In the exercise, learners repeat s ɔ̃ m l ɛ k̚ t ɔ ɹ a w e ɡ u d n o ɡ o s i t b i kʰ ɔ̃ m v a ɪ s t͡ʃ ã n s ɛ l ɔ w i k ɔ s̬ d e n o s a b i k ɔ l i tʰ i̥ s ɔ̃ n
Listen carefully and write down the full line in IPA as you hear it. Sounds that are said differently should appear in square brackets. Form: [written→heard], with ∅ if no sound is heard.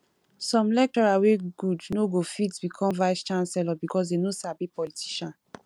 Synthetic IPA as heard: s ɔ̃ m l ɛ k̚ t ɔ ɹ a w e ɡ u d n o ɡ o [s→f] i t b i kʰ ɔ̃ m v a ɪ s t͡ʃ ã n s ɛ l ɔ [w→b] i k ɔ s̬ d e n o s a b i [k→p] ɔ l i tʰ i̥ [s→ʃ] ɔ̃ n

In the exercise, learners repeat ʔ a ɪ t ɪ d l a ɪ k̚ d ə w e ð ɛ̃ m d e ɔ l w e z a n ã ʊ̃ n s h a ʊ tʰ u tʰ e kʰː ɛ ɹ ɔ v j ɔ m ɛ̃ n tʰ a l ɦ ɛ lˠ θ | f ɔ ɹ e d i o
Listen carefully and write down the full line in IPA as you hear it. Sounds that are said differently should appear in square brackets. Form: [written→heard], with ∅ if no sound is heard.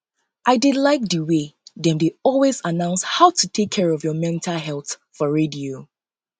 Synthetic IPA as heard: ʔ a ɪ [t→d] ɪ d l a ɪ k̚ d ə w e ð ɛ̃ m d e ɔ l w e z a n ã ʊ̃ n s h a ʊ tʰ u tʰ e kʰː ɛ ɹ ɔ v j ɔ m ɛ̃ n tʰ a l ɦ ɛ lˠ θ | f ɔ ɹ e d i o

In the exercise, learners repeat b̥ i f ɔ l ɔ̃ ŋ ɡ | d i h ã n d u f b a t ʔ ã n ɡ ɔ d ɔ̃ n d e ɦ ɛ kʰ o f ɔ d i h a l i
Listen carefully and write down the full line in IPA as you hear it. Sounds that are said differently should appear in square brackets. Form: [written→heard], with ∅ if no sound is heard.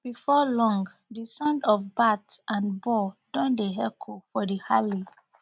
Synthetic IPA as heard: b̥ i f ɔ l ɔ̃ ŋ ɡ | d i [h→s] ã n d [u→ɔ] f b a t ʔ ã n [ɡ→b] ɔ d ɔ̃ n d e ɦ ɛ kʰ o f ɔ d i h a l i

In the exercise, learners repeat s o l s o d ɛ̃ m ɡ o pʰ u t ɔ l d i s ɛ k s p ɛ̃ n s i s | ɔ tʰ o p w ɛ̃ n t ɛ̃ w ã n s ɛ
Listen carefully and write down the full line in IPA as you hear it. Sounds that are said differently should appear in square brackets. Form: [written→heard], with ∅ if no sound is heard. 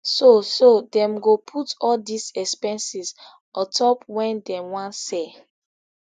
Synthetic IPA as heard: s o [l→∅] s o d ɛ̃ m ɡ o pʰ u t ɔ l d i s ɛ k s p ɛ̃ n s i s | ɔ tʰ [o→ɔ] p w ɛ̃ n [t→d] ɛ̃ w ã n s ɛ

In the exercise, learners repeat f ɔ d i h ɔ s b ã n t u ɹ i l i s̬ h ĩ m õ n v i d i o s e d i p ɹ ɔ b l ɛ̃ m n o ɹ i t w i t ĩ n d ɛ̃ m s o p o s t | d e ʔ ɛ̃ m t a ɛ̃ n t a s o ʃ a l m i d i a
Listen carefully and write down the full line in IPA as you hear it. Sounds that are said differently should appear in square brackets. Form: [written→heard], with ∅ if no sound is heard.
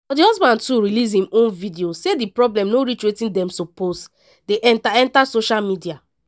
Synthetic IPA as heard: f ɔ d i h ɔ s b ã n t u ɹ i l i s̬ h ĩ m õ n v i d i o s e d i p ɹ ɔ b l ɛ̃ m n o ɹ i [t→t͡ʃ] w [i→e] t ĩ n d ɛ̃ m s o p o s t | d e ʔ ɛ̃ [m→n] t a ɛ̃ n t a s o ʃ a l m i d i a

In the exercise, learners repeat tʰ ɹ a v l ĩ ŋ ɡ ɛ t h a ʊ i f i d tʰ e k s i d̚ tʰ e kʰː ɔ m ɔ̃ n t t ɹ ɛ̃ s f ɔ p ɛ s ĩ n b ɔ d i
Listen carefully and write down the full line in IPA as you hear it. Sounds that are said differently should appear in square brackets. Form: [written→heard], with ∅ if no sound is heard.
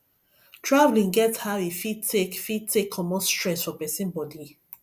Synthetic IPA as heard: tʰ ɹ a v l ĩ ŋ ɡ ɛ t h a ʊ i f i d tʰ e k [s→f] i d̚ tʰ e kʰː ɔ m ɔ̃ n [t→s] t ɹ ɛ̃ s f ɔ p ɛ s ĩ n b ɔ d i

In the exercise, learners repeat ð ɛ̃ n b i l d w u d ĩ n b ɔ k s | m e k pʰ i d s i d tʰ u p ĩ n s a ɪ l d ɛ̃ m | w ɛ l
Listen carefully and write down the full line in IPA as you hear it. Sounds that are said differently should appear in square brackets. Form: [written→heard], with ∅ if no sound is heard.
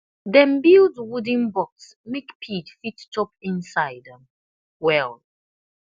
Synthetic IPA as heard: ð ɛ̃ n b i l d w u d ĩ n b ɔ k s | m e k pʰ i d [s→f] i [d→t] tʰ [u→ɔ] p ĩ n s a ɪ [l→∅] d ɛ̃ m | w ɛ l

